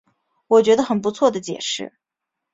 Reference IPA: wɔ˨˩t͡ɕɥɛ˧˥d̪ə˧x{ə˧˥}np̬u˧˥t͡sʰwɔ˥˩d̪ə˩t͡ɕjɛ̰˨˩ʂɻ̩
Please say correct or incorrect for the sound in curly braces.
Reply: incorrect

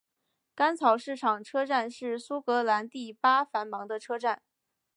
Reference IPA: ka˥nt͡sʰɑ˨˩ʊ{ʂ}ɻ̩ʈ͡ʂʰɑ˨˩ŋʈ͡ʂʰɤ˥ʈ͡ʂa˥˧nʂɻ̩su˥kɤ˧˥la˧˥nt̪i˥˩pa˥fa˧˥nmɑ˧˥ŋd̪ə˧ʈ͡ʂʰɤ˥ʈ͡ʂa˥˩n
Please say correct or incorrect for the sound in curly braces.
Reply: correct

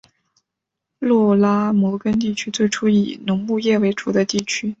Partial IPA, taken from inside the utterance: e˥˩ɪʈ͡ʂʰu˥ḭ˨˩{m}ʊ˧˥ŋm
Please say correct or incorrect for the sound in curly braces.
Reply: incorrect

